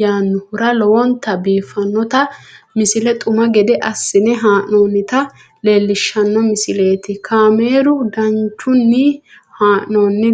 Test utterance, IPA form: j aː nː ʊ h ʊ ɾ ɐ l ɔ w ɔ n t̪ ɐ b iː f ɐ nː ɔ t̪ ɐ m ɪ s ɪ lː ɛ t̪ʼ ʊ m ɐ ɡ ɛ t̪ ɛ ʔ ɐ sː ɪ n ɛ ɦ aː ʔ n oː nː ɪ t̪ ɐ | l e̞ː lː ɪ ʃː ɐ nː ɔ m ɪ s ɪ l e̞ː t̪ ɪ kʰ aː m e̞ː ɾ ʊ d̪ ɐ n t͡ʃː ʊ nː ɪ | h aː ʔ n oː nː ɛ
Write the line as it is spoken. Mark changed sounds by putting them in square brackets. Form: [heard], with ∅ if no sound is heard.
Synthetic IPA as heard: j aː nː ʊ h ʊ ɾ ɐ l ɔ w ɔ n t̪ ɐ b iː f ɐ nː ɔ t̪ ɐ m ɪ s ɪ [l] ɛ t̪ʼ ʊ m ɐ ɡ ɛ [d̪] ɛ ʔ ɐ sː ɪ n ɛ ɦ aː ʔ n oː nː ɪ t̪ ɐ | l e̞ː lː ɪ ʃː ɐ nː ɔ m ɪ s ɪ l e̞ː t̪ ɪ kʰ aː m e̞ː ɾ ʊ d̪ ɐ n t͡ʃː ʊ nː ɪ | h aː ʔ n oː nː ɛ